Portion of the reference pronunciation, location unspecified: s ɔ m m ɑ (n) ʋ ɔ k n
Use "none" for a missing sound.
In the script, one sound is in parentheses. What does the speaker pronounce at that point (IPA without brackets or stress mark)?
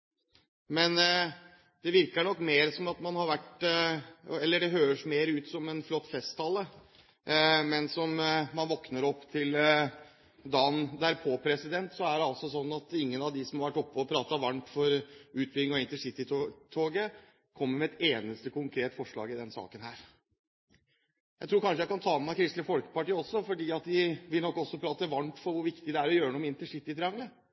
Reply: n